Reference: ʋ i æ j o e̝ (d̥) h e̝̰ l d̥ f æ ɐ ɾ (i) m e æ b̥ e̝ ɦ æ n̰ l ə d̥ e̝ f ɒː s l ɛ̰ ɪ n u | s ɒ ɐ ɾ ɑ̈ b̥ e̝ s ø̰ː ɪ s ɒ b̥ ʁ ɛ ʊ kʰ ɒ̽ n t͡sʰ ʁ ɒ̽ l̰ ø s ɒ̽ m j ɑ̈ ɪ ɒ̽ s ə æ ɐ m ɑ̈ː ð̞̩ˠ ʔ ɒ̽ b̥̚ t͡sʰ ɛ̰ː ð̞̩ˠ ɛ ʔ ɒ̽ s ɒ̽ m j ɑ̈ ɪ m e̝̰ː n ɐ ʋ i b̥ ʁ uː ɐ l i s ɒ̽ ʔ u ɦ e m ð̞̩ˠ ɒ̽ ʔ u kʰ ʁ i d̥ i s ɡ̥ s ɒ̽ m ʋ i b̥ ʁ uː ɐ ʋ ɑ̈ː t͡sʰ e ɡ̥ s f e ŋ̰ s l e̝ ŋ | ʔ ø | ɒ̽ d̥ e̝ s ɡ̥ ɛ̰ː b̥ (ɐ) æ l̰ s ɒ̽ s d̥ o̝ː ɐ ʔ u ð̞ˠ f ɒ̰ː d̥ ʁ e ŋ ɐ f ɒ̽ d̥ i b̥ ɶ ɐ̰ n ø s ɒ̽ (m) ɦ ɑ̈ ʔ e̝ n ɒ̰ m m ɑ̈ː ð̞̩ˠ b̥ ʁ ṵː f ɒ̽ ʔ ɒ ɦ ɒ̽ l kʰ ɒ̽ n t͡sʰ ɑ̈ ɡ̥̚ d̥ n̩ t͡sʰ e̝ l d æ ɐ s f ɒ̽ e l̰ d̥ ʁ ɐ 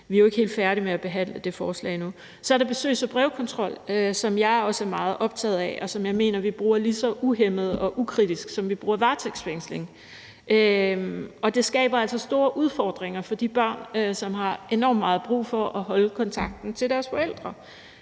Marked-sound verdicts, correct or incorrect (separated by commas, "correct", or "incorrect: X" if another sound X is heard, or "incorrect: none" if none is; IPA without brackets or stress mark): incorrect: ɡ̥, correct, correct, correct